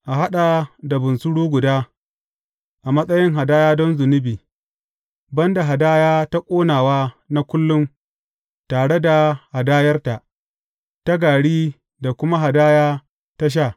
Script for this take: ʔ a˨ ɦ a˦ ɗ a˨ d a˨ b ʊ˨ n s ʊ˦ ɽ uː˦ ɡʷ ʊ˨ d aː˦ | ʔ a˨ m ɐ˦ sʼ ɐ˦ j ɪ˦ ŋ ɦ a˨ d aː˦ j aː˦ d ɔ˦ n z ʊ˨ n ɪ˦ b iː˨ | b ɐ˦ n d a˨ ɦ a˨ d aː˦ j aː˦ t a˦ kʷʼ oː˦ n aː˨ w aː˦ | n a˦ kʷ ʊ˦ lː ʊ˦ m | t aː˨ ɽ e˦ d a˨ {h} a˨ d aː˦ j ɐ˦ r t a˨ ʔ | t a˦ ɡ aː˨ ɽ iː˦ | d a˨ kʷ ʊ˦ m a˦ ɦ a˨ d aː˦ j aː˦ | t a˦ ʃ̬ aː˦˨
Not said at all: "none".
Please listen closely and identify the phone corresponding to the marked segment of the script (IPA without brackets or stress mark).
h